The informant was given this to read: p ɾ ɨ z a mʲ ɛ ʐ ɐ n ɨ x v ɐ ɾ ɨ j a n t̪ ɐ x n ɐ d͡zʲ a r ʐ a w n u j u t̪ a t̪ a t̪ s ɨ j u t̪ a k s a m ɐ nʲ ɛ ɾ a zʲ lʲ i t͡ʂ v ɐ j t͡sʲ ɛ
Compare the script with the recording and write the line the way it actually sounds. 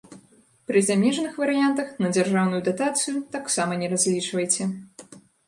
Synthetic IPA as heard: p ɾ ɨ z a mʲ ɛ ʐ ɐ n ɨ x v ɐ ɾ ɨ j a n t̪ ɐ x n ɐ d͡zʲ a r ʐ a w n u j u d̪ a t̪ a t̪ s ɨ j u t̪ a k s a m ɐ nʲ ɛ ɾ a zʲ lʲ i t͡ʂ v ɐ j t͡sʲ ɛ